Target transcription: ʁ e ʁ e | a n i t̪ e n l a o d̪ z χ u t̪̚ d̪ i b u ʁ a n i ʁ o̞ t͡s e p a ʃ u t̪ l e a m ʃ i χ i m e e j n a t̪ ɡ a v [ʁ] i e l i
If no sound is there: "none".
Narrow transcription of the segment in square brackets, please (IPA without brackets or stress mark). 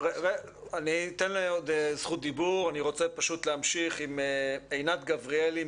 ʁ